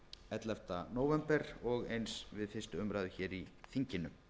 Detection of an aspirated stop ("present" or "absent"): absent